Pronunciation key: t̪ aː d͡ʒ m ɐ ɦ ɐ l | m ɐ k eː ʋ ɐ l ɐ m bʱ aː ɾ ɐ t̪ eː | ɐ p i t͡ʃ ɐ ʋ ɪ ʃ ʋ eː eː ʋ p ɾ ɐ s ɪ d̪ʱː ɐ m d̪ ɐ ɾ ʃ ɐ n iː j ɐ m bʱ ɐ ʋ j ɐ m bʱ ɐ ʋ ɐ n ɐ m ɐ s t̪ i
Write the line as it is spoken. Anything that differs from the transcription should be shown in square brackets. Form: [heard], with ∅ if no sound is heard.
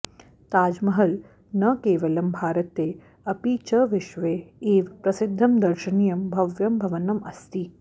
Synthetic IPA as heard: t̪ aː d͡ʒ m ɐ ɦ ɐ l | [n] ɐ k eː ʋ ɐ l ɐ m bʱ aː ɾ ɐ t̪ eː | ɐ p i t͡ʃ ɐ ʋ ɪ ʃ ʋ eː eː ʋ p ɾ ɐ s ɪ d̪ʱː ɐ m d̪ ɐ ɾ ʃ ɐ n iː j ɐ m bʱ ɐ ʋ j ɐ m bʱ ɐ ʋ ɐ n ɐ m ɐ s t̪ i